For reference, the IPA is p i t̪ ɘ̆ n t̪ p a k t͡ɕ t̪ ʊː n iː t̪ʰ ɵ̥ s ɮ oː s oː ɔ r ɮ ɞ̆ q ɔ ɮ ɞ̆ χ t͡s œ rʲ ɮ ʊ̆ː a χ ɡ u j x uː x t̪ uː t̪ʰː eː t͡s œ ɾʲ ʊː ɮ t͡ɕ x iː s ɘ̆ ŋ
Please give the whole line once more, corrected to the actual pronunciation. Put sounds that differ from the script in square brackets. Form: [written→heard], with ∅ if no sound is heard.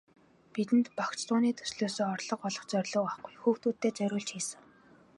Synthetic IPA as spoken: p i t̪ ɘ̆ n t̪ p a k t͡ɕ t̪ ʊː n iː t̪ʰ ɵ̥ s ɮ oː s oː ɔ r ɮ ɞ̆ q ɔ ɮ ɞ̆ χ t͡s œ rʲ ɮ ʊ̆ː a χ ɡ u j x uː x t̪ uː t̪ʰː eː t͡s œ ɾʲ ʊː ɮ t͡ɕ x iː s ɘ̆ ŋ